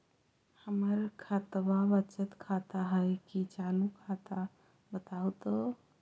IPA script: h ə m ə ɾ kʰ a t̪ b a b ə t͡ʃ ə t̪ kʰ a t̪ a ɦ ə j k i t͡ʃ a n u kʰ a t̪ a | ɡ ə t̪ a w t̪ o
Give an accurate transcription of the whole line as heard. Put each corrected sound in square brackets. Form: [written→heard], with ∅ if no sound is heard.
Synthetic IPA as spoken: h ə m ə ɾ kʰ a t̪ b a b ə t͡ʃ ə t̪ kʰ a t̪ a ɦ ə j k i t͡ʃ a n u kʰ a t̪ a | [ɡ→b] ə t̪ a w t̪ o